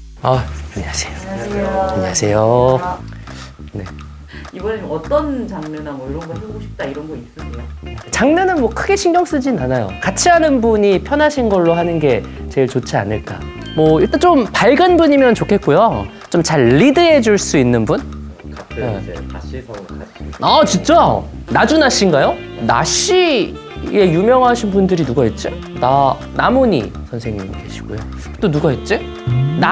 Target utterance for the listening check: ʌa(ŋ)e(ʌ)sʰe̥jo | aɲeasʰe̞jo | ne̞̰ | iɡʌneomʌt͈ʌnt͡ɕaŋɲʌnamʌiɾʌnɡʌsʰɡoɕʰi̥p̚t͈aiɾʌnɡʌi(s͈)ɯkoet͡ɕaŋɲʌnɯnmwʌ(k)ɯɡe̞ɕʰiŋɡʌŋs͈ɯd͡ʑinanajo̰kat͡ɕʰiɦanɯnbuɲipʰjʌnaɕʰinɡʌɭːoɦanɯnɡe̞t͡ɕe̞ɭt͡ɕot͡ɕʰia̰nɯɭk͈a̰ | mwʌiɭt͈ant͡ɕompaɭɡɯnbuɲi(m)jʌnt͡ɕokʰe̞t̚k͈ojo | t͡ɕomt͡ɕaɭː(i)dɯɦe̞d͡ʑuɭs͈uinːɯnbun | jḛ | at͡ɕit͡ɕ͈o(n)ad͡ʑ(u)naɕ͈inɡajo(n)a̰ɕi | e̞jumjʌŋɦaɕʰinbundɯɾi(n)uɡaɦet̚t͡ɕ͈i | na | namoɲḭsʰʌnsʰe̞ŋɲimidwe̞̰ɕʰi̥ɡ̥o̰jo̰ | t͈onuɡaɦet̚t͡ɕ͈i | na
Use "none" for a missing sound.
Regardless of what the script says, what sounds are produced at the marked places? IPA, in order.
ɲ, a, s͈, kʰ, m, i, n, u, n, n

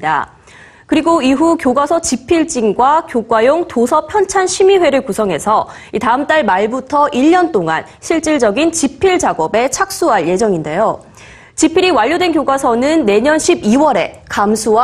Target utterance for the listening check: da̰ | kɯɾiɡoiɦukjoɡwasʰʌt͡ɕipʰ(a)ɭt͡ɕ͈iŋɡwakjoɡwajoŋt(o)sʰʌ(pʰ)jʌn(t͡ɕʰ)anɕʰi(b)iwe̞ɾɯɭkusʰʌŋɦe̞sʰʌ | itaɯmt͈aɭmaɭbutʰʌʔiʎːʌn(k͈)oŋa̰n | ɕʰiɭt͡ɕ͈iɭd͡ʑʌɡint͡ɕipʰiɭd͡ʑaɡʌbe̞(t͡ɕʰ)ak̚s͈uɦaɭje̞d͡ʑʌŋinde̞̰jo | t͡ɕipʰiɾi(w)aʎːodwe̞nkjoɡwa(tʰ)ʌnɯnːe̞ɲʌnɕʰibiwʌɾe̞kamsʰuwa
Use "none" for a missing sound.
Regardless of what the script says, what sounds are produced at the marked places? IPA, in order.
i, o, pʰ, t͡ɕʰ, m, t͈, t͡ɕʰ, w, sʰ

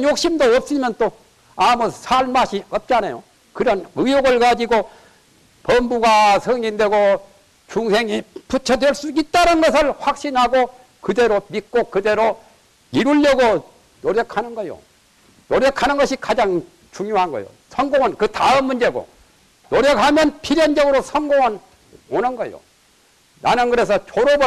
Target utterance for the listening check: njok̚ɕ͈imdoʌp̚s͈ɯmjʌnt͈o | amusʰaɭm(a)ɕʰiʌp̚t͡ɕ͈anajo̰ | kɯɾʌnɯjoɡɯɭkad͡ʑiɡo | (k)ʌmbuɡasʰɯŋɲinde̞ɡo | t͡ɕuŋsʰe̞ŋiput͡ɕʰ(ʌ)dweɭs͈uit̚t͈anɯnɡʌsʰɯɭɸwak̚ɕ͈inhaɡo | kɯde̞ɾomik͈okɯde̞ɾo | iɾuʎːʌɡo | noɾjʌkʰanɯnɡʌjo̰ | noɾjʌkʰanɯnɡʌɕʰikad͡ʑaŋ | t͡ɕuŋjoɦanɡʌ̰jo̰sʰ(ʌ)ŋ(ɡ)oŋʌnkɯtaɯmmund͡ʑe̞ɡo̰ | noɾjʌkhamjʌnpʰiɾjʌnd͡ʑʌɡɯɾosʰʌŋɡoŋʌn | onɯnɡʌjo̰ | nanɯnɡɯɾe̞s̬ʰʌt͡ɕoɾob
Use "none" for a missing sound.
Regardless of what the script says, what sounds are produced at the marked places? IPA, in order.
a, p, ʌ, ʌ, ɡ

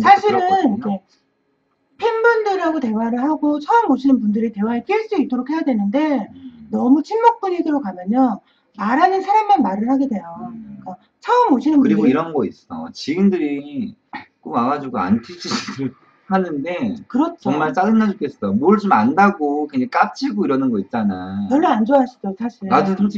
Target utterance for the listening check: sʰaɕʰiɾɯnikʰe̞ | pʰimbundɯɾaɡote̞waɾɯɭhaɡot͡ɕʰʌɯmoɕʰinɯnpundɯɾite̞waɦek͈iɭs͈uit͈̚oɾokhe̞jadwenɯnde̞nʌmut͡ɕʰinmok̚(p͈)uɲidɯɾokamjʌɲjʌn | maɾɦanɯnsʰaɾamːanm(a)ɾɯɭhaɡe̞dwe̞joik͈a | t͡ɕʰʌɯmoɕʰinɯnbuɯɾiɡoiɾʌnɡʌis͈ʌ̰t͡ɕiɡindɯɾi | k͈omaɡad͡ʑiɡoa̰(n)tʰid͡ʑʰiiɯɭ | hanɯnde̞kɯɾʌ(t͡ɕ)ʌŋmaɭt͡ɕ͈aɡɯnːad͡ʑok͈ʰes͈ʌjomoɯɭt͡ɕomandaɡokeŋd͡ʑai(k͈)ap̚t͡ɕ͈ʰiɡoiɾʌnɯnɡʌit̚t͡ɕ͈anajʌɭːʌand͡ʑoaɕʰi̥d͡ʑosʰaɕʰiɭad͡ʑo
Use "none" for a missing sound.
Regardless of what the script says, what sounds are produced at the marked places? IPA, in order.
p͈, a, n, t͡ɕʰ, k͈

